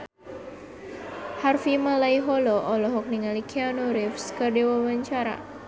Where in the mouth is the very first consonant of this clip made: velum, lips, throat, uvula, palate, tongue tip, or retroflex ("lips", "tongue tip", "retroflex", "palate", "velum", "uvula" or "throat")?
throat